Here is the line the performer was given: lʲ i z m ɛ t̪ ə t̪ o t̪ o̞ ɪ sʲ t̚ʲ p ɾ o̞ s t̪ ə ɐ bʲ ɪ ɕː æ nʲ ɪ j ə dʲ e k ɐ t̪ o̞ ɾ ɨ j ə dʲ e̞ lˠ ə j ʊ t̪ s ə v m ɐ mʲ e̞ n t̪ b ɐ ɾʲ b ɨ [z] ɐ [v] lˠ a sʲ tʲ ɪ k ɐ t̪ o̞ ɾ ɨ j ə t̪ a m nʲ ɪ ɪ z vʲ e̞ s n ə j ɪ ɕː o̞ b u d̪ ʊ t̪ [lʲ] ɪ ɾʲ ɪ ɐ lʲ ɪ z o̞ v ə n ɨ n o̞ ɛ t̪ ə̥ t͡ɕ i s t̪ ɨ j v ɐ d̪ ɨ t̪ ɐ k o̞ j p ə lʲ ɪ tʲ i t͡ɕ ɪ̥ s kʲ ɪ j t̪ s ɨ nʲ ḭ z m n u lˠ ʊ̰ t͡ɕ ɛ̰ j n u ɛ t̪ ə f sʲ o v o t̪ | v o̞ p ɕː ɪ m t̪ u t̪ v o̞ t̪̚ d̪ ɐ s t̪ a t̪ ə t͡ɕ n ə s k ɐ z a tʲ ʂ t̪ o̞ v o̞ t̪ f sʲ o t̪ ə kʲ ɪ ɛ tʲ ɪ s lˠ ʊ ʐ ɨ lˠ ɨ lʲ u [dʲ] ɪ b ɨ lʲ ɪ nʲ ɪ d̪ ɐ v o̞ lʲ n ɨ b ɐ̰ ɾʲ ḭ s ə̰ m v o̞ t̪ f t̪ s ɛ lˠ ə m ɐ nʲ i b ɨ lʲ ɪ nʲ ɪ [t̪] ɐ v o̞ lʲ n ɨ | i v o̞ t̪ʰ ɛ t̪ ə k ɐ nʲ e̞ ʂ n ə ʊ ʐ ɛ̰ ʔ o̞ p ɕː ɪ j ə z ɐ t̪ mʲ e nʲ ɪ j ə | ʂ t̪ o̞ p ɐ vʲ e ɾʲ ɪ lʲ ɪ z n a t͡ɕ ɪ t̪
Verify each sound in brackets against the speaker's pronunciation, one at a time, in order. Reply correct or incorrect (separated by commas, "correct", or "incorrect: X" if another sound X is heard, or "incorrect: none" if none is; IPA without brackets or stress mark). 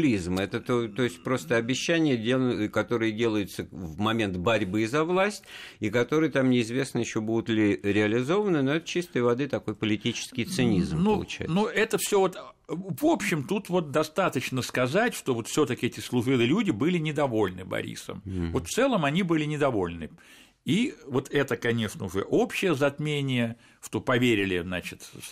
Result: correct, correct, correct, correct, incorrect: d̪